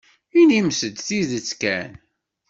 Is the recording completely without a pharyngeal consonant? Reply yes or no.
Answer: yes